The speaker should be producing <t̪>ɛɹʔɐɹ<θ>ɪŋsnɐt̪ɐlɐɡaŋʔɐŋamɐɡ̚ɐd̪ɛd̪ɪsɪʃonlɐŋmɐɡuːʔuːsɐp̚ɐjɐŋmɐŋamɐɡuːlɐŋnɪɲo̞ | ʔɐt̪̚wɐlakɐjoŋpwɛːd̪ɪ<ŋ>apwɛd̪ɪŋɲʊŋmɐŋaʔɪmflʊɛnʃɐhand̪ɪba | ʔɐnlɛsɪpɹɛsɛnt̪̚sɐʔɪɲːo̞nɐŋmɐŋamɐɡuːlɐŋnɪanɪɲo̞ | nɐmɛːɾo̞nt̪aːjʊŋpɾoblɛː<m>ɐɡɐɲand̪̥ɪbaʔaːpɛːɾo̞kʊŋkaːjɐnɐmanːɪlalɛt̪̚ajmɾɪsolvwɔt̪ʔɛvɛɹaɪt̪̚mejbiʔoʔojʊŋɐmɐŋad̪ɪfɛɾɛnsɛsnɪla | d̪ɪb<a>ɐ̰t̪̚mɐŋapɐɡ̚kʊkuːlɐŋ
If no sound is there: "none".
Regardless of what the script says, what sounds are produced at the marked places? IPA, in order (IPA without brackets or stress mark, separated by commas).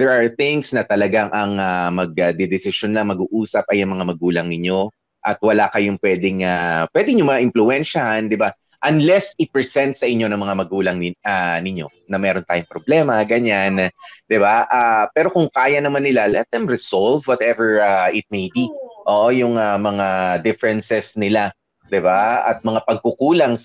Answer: d̪, θ, ŋ, m, a